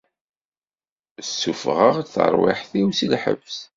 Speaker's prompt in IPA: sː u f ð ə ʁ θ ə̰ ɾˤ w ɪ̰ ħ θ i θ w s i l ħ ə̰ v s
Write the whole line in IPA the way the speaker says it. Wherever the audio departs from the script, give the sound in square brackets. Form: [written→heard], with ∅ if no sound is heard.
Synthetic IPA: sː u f [ð→ʁ] ə ʁ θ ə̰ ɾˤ w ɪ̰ ħ θ i [θ→∅] w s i l ħ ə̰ v s